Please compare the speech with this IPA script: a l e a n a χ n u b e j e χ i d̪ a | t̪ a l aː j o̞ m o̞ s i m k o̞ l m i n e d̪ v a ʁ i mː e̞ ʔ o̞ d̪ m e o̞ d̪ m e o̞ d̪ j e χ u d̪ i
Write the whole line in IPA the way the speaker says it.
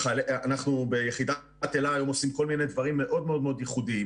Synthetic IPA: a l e a n a χ n u b e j e χ i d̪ a | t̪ e l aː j o̞ m o̞ s i m k o̞ l m i n e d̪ v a ʁ i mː e̞ ʔ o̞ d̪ m e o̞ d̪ m e o̞ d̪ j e χ u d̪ i